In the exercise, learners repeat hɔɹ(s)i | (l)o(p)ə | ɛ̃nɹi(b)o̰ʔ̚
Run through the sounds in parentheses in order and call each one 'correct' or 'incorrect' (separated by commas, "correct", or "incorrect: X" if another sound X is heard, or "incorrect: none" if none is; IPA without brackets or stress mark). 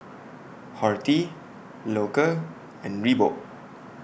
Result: incorrect: t, correct, incorrect: k, correct